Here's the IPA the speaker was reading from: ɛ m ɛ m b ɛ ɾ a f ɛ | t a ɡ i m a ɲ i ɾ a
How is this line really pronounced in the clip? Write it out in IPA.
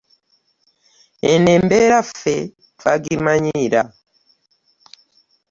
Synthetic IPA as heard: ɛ n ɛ m b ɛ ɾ a f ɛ | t a ɡ i m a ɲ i ɾ a